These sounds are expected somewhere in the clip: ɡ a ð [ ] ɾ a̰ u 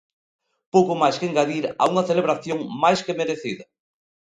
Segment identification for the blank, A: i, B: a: A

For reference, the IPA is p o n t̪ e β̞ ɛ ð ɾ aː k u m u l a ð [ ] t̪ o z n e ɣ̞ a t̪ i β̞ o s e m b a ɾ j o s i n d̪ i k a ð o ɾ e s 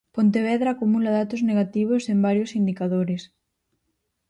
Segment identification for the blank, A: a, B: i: A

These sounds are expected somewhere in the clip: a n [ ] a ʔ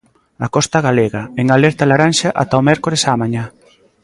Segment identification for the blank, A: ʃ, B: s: A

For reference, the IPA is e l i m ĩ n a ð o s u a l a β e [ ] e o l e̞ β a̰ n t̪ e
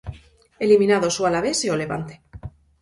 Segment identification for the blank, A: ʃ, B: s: B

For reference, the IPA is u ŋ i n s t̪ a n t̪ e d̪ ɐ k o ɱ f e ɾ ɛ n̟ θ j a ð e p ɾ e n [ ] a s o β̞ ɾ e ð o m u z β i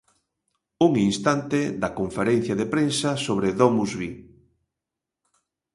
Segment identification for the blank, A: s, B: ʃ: A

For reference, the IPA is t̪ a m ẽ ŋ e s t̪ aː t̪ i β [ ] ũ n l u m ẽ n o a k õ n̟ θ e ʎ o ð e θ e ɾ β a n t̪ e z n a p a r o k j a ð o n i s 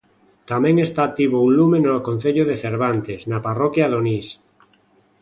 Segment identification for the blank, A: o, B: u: A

